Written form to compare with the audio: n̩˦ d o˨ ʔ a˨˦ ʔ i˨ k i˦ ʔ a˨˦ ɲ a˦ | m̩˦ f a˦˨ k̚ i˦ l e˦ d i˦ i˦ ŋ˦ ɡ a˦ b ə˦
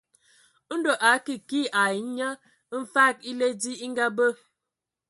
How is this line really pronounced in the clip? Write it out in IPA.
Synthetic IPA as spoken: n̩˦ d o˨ ʔ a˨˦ k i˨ k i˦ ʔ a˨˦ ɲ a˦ | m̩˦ f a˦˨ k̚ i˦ l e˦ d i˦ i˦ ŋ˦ ɡ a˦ b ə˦